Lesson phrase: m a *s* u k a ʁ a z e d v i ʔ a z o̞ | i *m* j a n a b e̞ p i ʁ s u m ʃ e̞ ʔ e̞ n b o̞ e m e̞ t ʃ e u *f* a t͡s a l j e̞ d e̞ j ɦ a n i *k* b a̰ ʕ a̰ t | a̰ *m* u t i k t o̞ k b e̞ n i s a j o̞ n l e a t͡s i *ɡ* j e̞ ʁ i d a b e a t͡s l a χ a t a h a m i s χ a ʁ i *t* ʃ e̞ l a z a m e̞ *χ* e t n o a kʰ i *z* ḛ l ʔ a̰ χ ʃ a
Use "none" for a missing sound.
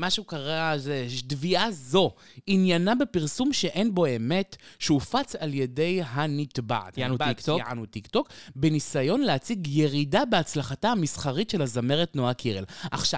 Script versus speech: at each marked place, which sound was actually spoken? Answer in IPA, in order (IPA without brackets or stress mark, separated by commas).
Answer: ʃ, n, f, t, n, ɡ, t, ʁ, ʁ